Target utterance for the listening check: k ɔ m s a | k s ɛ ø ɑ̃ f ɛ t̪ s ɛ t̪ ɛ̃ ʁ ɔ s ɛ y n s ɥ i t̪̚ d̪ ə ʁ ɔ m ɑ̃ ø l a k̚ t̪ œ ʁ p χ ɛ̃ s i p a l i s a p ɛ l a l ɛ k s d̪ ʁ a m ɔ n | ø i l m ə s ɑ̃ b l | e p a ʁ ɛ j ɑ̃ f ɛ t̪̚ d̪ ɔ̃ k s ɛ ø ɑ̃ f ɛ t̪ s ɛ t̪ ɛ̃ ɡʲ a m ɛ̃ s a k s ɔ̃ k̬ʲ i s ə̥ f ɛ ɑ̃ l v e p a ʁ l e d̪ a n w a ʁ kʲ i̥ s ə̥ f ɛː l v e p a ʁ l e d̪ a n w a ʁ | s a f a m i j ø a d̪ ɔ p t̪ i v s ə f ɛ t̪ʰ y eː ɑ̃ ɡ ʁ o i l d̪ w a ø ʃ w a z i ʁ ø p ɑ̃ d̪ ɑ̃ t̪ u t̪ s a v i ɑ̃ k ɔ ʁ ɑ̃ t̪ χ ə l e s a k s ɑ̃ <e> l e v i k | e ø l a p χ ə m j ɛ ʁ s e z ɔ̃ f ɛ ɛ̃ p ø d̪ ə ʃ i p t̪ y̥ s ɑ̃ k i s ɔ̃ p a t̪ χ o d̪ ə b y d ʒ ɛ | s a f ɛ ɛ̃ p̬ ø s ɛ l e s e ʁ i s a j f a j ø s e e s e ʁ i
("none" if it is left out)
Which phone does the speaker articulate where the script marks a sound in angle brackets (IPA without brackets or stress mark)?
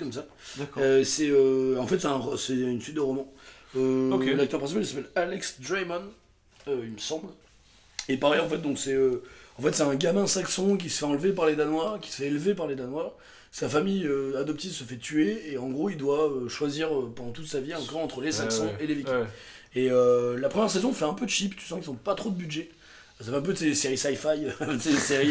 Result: e